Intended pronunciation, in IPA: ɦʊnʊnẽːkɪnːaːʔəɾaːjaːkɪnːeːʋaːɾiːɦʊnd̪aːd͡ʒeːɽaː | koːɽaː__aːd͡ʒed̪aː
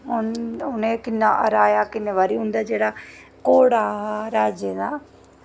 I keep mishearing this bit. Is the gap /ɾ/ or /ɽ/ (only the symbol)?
ɾ